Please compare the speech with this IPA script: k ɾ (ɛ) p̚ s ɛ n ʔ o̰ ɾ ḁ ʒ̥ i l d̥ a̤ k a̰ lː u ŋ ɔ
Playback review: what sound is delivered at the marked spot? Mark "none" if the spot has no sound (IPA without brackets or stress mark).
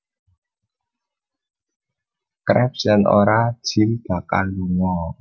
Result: ɛ